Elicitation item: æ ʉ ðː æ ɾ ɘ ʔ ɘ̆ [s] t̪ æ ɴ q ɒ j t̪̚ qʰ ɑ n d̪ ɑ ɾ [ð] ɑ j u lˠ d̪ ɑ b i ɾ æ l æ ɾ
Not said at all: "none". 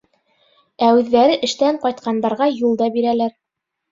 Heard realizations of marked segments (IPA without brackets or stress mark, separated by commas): ʃ, ʁ